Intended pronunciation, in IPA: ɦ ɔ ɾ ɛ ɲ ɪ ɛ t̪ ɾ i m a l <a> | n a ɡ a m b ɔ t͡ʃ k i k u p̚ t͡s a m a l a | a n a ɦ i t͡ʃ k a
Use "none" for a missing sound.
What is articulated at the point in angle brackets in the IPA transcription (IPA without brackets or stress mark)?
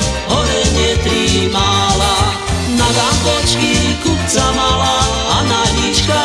a